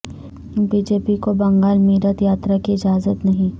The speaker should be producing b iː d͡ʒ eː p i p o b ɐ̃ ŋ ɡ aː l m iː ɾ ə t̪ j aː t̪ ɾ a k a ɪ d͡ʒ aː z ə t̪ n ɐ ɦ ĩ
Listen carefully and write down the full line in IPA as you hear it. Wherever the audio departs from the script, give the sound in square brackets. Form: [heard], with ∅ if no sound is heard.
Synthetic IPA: b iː d͡ʒ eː p i [k] o b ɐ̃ ŋ ɡ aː l m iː ɾ ə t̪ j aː t̪ ɾ a k [i] ɪ d͡ʒ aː z ə t̪ n ɐ ɦ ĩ